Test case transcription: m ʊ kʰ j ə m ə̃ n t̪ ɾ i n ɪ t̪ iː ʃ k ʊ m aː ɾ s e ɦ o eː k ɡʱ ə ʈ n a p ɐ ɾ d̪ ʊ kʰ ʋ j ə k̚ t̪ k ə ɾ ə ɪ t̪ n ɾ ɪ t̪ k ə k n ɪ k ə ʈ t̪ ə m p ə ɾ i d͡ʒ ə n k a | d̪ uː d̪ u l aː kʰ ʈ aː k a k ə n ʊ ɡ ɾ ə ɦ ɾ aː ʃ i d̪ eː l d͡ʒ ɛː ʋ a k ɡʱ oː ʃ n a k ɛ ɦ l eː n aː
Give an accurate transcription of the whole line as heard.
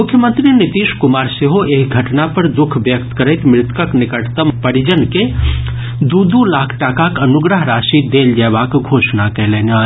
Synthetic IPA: m ʊ kʰ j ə m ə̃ n t̪ ɾ i n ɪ t̪ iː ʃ k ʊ m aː ɾ s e ɦ o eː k ɡʱ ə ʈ n a p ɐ ɾ d̪ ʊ kʰ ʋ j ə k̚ t̪ k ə ɾ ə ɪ t̪ m ɾ ɪ t̪ k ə k n ɪ k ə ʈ t̪ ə m p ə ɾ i d͡ʒ ə n k e | d̪ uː d̪ u l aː kʰ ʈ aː k a k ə n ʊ ɡ ɾ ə ɦ ɾ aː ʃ i d̪ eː l d͡ʒ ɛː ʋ a k ɡʱ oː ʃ n a k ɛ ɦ l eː n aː